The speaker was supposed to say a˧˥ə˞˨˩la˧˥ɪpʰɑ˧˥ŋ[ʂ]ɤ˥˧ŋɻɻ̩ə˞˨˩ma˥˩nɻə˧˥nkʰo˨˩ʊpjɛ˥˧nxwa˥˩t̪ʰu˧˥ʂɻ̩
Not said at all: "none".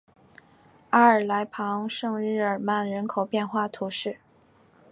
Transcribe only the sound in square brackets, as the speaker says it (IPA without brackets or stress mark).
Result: ʂ